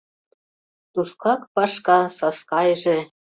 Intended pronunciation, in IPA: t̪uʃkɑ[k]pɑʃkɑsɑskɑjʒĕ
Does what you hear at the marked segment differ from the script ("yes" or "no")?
no